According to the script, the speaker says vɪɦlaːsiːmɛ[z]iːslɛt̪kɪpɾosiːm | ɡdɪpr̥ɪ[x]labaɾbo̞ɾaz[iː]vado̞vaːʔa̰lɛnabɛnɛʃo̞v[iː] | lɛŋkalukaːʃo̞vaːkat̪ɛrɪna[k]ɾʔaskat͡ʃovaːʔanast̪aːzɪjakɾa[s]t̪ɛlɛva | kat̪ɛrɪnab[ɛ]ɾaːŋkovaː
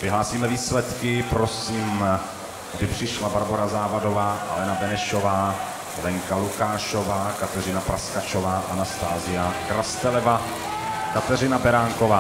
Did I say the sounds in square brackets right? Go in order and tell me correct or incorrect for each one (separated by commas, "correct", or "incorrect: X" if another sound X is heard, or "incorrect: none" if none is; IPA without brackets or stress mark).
incorrect: v, incorrect: ʃ, incorrect: aː, incorrect: aː, incorrect: p, correct, correct